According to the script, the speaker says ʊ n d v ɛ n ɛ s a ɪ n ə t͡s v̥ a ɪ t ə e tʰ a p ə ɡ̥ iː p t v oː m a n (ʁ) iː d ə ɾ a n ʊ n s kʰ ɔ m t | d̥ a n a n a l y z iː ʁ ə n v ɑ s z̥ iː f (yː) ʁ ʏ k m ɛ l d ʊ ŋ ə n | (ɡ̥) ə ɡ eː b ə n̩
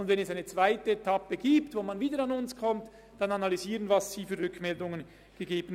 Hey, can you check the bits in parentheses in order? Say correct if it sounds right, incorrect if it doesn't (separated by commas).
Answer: incorrect, correct, correct